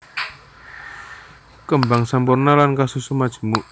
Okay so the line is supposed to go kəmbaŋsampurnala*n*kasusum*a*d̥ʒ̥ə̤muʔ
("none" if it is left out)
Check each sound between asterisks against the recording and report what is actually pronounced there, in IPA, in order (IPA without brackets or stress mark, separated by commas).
n, a